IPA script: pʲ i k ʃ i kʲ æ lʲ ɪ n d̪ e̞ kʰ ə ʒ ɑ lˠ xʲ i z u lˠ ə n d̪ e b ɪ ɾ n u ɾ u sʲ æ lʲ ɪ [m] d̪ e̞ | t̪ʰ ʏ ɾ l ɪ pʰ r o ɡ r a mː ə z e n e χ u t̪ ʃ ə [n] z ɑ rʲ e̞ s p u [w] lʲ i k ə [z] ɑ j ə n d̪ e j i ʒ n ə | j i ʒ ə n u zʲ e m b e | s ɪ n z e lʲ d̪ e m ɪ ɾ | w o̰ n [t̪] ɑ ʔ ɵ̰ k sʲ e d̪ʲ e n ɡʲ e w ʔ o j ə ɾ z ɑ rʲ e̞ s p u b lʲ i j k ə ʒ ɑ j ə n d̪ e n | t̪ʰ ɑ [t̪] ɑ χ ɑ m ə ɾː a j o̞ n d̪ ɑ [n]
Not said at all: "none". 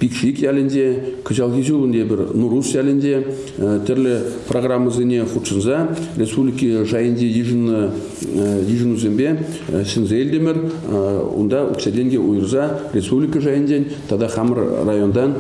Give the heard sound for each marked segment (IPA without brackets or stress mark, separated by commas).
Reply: n, n, b, ʒ, d̪, d̪, n